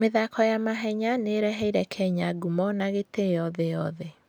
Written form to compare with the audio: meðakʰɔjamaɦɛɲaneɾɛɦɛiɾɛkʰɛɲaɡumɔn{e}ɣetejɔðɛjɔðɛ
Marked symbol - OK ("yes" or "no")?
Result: no